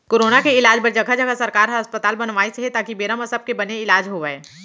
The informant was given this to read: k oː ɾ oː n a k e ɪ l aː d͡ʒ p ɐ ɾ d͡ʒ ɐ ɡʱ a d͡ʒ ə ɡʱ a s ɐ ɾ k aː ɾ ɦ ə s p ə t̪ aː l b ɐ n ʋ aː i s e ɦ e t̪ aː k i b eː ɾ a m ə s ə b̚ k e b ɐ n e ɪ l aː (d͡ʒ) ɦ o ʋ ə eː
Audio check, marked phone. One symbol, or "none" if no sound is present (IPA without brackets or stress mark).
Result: d͡ʒ